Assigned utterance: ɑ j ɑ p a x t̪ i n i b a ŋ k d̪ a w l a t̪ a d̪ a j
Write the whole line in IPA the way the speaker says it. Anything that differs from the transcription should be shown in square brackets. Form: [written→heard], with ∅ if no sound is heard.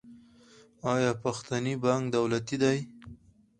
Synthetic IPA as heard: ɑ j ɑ p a x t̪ [i→a] n i b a ŋ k d̪ a w l a t̪ [a→i] d̪ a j